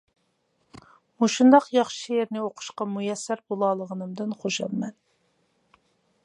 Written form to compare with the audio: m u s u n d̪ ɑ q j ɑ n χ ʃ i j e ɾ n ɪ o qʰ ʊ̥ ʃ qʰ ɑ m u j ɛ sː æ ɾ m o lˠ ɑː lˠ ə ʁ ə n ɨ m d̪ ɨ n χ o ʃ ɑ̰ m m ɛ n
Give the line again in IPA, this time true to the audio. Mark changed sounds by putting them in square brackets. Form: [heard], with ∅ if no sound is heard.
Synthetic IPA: m u [ʃ] u n d̪ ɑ q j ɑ [∅] χ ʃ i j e ɾ n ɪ o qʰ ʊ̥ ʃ [q] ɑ m u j ɛ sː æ ɾ [b] o lˠ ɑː lˠ ə ʁ ə n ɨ m d̪ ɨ n χ o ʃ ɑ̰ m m ɛ n